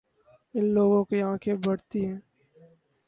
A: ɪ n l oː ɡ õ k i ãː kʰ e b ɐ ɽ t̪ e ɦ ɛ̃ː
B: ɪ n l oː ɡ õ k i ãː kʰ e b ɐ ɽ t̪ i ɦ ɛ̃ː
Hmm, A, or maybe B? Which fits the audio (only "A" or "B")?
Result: B